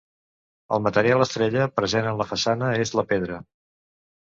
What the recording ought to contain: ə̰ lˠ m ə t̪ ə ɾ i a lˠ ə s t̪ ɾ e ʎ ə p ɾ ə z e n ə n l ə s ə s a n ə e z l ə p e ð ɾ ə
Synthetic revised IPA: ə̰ lˠ m ə t̪ ə ɾ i a lˠ ə s t̪ ɾ e ʎ ə p ɾ ə z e n ə n l ə f ə s a n ə e z l ə p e ð ɾ ə